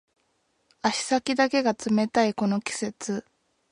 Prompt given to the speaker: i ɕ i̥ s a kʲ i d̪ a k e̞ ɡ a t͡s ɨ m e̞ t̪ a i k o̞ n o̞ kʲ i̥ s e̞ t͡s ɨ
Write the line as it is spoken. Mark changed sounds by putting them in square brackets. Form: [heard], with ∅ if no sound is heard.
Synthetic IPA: [a] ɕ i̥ s a kʲ i d̪ a k e̞ ɡ a t͡s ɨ m e̞ t̪ a i k o̞ n o̞ kʲ i̥ s e̞ t͡s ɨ